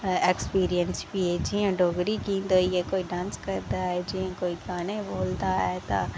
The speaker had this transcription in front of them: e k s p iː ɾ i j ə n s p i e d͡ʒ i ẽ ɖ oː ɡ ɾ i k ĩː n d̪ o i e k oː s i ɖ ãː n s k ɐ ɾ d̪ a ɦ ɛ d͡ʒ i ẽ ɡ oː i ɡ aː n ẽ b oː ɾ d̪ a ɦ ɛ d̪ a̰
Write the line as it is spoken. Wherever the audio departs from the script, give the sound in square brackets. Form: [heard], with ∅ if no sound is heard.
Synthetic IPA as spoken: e k s p iː ɾ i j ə n s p i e d͡ʒ i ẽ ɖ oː ɡ ɾ i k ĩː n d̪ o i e k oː [∅] i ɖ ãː n s k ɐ ɾ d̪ a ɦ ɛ d͡ʒ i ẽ [k] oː i ɡ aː n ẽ b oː [l] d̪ a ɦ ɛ [t̪] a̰